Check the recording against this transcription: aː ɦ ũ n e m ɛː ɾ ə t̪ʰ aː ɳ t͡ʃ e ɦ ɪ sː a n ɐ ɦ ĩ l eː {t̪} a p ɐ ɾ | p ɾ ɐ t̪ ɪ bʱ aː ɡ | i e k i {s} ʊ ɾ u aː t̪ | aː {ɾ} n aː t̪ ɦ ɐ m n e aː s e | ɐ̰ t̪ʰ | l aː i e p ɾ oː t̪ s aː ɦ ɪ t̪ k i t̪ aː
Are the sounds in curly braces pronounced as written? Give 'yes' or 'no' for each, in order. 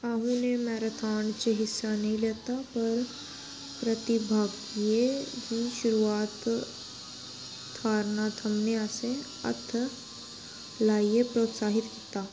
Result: yes, no, yes

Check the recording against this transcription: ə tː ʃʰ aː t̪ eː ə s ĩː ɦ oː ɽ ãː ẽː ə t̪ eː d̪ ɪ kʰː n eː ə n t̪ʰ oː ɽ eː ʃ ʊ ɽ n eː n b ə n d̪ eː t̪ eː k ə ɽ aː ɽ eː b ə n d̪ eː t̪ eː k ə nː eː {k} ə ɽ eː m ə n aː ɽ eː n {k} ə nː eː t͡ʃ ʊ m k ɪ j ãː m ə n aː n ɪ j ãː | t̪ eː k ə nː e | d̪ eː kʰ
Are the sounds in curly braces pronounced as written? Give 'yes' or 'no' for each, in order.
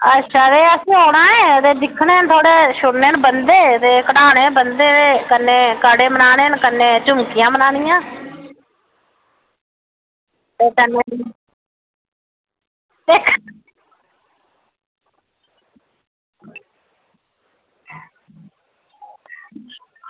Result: yes, yes

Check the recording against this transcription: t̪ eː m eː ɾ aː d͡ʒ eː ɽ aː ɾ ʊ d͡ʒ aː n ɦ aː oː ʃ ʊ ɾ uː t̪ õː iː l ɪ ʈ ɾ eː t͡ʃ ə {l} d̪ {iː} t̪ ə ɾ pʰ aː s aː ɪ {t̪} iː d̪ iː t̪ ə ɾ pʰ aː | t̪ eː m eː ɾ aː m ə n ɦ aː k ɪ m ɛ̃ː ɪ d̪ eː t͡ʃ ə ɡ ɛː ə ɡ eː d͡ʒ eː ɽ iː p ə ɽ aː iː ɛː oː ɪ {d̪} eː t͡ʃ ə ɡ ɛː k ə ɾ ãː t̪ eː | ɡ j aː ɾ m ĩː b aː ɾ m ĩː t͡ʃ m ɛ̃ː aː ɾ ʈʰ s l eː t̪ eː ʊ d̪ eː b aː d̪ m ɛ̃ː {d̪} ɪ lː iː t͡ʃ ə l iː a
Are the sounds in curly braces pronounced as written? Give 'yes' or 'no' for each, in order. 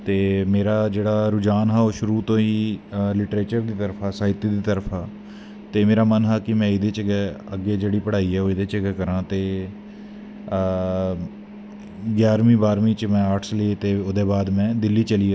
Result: no, yes, yes, yes, yes

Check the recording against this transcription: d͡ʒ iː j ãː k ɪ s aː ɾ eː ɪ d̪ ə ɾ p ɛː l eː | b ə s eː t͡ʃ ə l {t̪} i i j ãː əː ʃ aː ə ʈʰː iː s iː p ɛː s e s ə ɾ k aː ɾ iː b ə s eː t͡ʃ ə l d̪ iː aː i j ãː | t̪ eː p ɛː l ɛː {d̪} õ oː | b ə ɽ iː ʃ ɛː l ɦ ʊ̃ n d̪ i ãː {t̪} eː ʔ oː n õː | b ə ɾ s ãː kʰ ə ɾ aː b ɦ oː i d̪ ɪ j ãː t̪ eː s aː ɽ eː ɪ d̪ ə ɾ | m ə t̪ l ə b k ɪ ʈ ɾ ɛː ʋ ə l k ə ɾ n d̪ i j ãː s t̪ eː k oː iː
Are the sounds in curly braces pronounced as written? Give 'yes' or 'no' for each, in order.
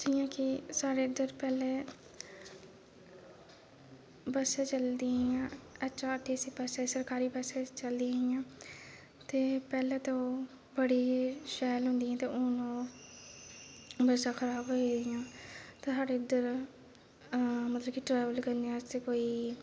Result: no, no, yes

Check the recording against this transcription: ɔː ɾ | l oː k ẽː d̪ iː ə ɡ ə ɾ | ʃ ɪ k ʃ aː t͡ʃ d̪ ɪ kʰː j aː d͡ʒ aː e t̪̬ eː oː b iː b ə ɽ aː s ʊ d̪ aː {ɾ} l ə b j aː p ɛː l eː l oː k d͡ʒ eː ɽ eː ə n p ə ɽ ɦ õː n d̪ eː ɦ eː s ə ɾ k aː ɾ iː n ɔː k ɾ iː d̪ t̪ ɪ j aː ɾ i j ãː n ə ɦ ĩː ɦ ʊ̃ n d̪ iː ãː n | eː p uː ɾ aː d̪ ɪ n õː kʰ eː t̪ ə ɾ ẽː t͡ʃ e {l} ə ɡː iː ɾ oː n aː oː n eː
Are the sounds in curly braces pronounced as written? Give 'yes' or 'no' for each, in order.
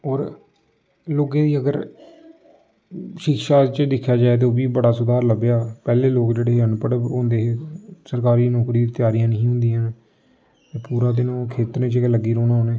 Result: yes, yes

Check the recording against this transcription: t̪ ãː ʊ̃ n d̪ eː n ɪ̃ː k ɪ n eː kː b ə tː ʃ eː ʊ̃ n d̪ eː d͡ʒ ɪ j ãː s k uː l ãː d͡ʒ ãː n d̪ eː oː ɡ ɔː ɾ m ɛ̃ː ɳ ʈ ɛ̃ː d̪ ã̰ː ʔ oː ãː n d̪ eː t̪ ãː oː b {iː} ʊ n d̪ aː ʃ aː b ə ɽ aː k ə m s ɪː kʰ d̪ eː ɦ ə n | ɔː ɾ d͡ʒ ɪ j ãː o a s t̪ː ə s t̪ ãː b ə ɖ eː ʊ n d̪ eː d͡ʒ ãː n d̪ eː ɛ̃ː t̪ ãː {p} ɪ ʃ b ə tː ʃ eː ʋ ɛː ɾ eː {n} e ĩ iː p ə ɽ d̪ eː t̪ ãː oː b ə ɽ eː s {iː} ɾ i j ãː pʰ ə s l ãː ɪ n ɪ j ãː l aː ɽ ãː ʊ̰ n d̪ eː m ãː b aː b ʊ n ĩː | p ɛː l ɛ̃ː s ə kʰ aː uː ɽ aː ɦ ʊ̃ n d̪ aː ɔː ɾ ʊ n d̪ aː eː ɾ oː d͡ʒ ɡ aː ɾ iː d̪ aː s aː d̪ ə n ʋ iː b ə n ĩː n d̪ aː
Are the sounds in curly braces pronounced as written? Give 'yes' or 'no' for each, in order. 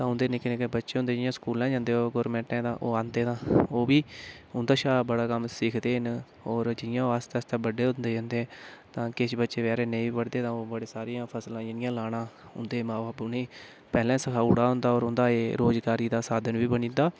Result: yes, no, yes, no

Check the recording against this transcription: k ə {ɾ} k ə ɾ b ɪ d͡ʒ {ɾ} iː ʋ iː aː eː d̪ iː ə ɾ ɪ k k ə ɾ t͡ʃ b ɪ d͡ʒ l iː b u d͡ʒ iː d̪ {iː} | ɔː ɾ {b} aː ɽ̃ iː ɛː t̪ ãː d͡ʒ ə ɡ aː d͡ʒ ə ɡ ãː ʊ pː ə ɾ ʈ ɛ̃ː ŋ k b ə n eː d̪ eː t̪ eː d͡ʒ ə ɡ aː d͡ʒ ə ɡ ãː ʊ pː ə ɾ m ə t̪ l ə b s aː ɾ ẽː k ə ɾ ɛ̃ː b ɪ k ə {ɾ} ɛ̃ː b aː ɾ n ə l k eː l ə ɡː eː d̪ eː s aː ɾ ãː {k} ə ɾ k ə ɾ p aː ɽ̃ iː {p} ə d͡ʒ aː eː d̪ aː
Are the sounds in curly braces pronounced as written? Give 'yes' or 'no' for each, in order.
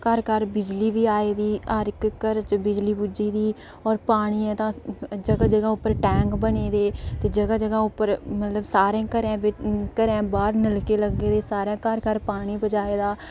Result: yes, no, yes, no, yes, yes, no

